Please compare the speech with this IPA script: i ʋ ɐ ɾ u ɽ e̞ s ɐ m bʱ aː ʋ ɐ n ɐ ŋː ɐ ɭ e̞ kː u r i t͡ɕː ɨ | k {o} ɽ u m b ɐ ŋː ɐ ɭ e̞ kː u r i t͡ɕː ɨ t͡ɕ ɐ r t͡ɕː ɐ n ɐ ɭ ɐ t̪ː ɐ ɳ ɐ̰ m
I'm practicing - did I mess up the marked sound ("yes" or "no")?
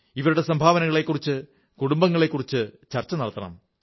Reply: yes